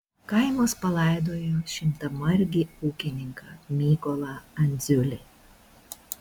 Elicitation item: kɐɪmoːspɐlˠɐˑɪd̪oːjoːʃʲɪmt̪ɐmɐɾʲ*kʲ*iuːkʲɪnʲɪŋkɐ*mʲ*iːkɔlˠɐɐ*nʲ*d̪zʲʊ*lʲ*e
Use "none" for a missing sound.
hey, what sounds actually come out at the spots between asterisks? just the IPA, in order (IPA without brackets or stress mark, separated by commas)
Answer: ɡʲ, mʲ, nʲ, lʲ